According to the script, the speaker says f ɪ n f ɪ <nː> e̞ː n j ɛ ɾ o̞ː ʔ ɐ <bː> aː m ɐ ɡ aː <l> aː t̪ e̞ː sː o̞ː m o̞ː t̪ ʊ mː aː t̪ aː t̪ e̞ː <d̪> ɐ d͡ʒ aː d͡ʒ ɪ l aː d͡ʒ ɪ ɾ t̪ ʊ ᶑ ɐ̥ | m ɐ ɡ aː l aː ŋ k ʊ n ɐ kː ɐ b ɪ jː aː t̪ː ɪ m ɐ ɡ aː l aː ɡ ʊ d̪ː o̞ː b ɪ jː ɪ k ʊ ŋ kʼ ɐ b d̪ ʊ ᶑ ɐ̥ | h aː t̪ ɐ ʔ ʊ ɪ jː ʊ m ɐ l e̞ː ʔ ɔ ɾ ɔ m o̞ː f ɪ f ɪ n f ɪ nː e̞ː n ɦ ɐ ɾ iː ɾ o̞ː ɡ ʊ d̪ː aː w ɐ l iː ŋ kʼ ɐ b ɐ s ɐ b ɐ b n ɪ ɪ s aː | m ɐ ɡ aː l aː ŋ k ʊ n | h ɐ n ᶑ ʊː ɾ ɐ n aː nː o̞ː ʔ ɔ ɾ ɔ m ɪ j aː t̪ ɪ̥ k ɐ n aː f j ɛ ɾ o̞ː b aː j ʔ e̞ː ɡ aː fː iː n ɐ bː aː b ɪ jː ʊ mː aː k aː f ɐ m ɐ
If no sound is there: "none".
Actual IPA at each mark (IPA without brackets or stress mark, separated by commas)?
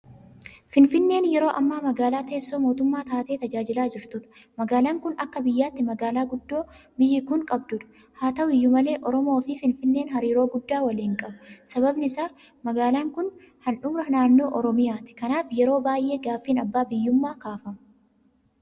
nː, mː, l, t̪